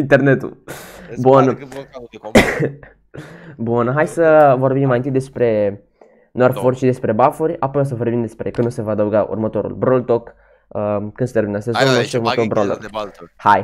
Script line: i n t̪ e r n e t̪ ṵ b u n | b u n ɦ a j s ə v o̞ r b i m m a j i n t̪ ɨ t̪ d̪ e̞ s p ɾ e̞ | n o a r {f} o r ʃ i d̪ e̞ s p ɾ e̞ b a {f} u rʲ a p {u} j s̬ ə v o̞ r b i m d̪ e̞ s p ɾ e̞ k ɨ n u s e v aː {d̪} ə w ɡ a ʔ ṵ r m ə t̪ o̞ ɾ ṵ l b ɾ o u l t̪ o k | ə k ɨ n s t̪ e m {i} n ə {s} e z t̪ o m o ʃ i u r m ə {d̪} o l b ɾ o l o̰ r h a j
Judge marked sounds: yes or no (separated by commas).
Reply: yes, yes, no, yes, yes, yes, no